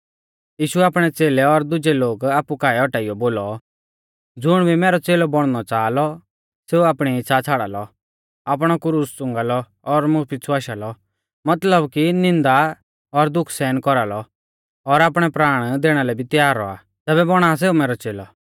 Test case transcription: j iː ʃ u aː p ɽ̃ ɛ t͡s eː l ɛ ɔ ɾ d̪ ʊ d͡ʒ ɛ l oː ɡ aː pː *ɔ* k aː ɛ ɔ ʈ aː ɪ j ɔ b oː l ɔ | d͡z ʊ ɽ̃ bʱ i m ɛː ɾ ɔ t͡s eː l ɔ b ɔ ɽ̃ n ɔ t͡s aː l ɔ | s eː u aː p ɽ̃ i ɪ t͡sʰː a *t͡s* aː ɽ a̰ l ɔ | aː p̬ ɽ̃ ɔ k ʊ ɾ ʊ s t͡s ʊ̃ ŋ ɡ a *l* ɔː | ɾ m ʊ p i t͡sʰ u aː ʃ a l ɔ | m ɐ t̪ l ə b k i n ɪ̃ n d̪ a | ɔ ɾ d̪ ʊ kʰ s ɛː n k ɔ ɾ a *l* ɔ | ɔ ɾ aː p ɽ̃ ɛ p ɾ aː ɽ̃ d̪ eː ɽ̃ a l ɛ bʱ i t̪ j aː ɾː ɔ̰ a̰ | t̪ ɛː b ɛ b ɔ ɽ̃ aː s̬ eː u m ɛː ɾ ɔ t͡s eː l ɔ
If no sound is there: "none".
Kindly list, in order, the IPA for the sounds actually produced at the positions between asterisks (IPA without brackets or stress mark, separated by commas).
u, t͡sʰ, l, l